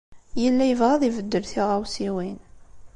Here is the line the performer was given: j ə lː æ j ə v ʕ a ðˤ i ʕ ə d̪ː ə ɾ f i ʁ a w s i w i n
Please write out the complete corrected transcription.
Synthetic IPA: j ə lː æ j ə v ʁ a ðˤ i v ə d̪ː ə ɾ θ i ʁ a w s i w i n